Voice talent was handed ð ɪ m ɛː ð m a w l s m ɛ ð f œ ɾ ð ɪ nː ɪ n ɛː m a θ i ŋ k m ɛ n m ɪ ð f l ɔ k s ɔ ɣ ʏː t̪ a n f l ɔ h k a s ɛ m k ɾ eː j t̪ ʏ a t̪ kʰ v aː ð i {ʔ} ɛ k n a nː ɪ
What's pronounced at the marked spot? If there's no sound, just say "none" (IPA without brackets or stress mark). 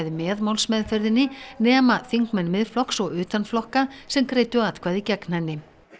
c